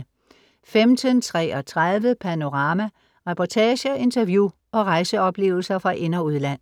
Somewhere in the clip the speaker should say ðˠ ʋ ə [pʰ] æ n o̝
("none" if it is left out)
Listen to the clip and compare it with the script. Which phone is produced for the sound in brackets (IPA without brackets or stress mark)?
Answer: pʰ